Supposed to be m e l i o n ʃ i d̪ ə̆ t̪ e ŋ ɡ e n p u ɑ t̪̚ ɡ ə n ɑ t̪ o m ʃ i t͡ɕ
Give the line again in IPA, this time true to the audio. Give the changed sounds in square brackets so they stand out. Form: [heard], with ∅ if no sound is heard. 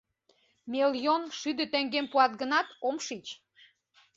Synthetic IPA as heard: m e l [j] o n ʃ [y] d̪ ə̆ t̪ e ŋ ɡ e [m] p u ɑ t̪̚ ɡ ə n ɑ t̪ o m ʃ i t͡ɕ